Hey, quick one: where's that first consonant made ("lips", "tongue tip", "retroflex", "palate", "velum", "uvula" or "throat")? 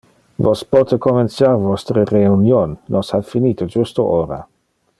lips